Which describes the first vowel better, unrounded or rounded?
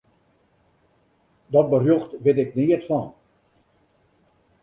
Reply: rounded